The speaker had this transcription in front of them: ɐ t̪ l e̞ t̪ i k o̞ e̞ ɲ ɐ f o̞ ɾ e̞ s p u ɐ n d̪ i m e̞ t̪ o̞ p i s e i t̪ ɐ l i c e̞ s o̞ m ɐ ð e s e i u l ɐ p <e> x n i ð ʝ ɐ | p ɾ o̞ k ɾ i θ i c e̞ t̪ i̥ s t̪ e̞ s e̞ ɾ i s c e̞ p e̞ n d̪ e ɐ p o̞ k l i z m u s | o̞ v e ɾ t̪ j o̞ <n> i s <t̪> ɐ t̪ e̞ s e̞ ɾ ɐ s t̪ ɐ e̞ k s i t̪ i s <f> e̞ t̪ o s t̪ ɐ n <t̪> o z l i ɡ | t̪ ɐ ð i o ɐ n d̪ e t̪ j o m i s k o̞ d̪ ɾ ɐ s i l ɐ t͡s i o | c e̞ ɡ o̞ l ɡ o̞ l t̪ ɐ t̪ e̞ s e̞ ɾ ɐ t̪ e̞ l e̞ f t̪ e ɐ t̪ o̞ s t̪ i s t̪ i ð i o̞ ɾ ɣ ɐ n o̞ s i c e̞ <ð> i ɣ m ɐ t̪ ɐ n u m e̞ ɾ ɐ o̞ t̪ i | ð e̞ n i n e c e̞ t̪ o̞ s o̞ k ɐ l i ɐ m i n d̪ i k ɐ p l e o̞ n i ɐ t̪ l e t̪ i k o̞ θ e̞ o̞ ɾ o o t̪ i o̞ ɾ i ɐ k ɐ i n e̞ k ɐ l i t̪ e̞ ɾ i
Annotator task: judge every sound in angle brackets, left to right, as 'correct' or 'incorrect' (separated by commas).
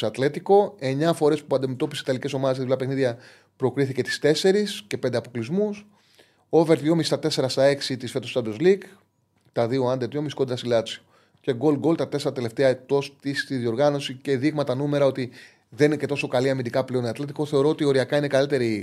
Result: correct, incorrect, correct, correct, incorrect, correct